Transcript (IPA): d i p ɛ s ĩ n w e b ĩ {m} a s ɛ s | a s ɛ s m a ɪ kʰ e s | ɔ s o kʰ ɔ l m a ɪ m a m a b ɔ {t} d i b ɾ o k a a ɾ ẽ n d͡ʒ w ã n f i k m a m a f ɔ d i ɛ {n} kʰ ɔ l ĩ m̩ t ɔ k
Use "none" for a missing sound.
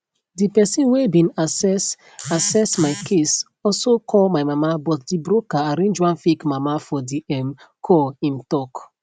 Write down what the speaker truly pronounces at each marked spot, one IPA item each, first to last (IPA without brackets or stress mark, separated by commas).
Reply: n, t, m